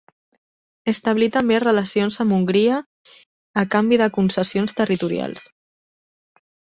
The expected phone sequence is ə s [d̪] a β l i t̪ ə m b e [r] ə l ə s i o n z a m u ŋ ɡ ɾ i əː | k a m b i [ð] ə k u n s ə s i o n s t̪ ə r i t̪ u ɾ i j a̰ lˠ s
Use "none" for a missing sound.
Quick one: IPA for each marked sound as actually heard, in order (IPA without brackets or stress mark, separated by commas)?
t̪, r, ð